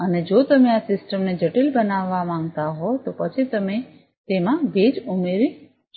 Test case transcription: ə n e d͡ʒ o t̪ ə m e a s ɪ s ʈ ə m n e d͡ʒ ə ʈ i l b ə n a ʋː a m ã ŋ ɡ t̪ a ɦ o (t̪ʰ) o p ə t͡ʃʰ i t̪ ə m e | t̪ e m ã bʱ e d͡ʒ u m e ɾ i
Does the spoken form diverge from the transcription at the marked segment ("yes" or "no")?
yes